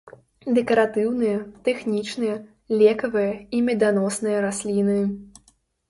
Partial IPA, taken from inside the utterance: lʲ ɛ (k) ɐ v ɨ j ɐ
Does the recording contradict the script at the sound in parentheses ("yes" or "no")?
no